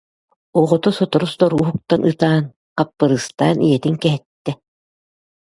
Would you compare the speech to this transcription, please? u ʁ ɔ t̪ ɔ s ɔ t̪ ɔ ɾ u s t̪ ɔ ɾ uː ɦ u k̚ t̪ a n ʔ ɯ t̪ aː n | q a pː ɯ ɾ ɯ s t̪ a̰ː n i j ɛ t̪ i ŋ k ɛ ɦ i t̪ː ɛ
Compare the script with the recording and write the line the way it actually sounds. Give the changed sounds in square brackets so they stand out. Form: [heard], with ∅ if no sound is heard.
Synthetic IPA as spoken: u ʁ ɔ t̪ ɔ s ɔ t̪ ɔ ɾ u s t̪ ɔ ɾ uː ɦ u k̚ t̪ a n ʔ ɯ t̪ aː n | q a pː ɯ ɾ ɯ s t̪ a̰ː n i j ɛ t̪ i ŋ k ɛ ɦ [ɛ] t̪ː ɛ